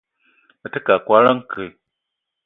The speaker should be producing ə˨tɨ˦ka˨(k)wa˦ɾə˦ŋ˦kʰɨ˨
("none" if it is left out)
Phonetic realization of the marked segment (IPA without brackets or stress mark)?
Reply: k